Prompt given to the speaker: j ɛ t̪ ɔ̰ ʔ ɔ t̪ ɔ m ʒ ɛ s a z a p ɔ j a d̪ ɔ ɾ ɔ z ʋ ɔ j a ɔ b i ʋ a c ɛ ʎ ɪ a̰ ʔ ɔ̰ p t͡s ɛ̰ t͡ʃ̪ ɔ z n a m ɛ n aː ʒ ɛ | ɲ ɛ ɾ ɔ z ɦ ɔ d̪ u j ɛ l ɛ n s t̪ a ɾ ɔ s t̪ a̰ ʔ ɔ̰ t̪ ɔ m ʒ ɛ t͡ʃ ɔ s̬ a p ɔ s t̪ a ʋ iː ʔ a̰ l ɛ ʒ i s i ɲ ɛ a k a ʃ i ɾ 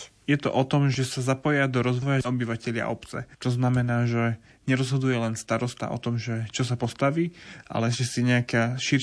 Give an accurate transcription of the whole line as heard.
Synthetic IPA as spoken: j ɛ t̪ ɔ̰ ʔ ɔ t̪ ɔ m ʒ ɛ s a z a p ɔ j a d̪ ɔ ɾ ɔ z ʋ ɔ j a ɔ b i ʋ a c ɛ ʎ ɪ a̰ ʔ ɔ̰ p t͡s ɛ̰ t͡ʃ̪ ɔ z n a m ɛ n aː ʒ ɛ | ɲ ɛ ɾ ɔ z ɦ ɔ d̪ u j ɛ l ɛ n s t̪ a ɾ ɔ s t̪ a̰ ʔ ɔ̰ t̪ ɔ m ʒ ɛ t͡ʃ ɔ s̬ a p ɔ s t̪ a ʋ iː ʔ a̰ l ɛ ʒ ɛ s i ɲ ɛ a k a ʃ i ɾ